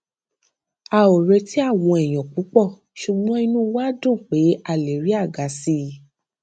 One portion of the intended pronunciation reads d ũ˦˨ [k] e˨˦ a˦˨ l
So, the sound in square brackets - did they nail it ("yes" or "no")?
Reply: no